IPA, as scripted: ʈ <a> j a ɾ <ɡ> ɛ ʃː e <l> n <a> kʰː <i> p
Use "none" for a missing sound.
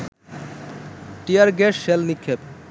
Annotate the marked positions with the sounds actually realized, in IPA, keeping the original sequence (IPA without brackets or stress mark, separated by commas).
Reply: i, ɡ, l, i, e